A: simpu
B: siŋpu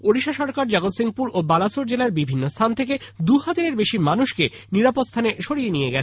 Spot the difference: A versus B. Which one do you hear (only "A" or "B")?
B